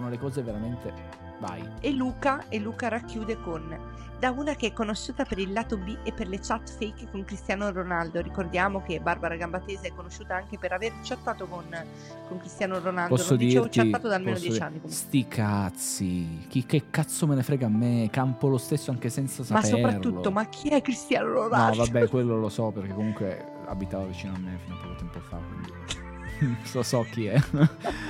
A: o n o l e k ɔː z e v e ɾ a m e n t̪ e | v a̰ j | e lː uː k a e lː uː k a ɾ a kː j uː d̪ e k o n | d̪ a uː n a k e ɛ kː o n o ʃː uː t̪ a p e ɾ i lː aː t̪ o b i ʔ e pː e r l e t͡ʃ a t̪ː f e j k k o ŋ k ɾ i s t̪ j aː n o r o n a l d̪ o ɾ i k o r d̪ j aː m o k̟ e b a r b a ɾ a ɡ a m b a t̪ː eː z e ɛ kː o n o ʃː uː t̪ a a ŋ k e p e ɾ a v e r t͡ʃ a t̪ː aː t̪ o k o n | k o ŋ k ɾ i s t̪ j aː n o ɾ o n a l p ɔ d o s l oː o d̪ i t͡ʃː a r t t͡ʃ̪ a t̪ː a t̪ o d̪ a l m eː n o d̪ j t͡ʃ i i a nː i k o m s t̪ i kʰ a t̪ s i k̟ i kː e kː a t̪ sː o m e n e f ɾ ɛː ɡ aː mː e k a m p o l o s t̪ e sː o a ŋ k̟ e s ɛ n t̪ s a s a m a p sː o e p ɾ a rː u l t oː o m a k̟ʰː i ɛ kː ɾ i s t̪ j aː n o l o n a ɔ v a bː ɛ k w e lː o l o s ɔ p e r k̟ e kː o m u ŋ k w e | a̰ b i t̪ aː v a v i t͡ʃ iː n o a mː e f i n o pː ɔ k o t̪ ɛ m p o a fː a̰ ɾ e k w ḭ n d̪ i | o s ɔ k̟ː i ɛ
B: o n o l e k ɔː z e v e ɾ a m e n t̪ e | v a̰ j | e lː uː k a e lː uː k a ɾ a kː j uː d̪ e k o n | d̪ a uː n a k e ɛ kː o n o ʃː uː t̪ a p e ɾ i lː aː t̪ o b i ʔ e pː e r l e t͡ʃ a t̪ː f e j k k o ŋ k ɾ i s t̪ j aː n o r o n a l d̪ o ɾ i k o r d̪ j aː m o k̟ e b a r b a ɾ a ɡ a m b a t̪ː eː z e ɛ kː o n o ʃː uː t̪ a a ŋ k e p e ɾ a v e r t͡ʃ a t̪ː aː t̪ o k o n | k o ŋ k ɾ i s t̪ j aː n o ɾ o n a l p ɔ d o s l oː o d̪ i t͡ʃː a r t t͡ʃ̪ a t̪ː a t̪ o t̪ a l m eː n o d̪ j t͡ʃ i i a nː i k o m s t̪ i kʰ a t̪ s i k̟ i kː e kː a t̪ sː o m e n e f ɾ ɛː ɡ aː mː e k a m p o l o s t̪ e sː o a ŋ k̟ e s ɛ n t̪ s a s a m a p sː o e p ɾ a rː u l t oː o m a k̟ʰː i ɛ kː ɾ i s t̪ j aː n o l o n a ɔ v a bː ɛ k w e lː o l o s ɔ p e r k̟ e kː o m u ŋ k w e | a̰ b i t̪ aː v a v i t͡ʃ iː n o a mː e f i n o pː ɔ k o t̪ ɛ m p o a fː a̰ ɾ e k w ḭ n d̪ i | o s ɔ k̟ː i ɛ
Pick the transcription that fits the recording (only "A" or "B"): A